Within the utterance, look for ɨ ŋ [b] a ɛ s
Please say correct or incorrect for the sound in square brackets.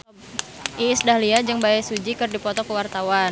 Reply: correct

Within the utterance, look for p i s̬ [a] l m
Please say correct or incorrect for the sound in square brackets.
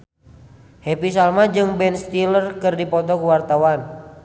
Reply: correct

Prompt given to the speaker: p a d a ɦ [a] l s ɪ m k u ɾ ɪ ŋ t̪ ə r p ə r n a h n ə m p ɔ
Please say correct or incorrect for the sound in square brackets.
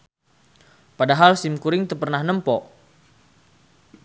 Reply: correct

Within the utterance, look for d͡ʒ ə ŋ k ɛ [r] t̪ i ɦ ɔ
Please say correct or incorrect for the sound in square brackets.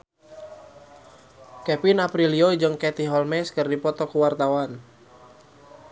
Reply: incorrect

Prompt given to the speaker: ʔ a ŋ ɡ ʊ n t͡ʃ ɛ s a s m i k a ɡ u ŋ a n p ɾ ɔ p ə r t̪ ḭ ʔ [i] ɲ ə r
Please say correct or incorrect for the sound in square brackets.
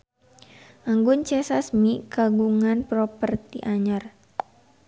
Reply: incorrect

